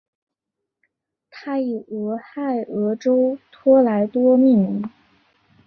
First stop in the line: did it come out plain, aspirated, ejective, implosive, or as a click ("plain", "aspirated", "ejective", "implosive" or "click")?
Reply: aspirated